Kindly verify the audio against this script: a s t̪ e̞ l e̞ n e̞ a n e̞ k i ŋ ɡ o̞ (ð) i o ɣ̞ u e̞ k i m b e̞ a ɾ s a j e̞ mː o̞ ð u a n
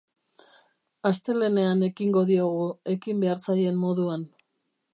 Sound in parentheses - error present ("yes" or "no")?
no